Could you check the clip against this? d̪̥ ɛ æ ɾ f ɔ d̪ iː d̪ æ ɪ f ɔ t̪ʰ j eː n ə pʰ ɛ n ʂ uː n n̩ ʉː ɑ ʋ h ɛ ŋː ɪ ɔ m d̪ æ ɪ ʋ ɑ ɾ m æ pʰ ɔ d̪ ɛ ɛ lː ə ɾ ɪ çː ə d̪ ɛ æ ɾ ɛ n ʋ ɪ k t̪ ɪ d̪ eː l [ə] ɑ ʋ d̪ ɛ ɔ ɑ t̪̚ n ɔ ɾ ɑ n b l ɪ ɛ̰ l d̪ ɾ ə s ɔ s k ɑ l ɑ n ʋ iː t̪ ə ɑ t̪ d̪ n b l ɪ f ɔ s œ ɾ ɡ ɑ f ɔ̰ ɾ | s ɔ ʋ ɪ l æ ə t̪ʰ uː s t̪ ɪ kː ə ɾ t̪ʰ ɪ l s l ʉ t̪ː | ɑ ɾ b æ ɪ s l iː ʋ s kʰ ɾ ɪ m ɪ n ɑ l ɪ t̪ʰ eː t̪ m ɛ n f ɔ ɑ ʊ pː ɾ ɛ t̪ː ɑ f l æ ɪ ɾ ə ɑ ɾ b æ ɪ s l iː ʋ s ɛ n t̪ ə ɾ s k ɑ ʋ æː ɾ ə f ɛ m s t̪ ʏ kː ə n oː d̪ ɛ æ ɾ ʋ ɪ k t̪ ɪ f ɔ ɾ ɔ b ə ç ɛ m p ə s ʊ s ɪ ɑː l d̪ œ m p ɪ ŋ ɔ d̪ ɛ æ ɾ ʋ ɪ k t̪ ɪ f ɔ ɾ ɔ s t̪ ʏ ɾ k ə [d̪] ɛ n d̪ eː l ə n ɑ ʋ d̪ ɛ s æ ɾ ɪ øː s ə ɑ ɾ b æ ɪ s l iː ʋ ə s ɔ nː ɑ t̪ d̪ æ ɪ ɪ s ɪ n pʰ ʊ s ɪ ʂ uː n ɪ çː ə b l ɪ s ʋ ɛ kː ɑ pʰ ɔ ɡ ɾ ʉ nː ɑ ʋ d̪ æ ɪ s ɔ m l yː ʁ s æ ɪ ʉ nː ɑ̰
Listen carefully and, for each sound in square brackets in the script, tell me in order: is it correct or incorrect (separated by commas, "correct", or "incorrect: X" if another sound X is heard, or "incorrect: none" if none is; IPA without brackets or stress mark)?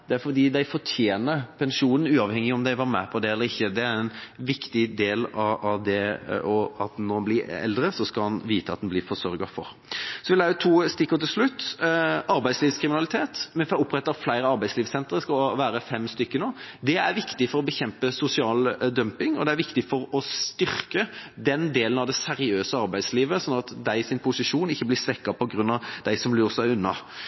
incorrect: ɑ, correct